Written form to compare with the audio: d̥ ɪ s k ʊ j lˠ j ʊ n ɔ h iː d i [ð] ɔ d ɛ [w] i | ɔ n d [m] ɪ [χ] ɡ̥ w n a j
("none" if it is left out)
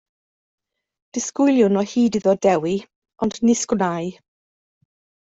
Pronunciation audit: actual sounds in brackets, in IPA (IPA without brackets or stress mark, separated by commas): ð, w, n, s